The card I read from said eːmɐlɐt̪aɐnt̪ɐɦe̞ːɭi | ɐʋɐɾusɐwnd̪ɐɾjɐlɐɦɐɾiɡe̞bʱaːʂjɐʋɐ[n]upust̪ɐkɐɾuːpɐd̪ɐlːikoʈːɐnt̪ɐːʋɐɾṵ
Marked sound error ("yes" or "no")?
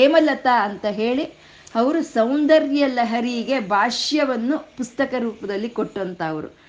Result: yes